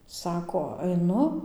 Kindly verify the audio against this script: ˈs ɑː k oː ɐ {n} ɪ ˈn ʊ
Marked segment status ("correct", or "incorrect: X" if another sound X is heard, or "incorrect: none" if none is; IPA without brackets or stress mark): incorrect: none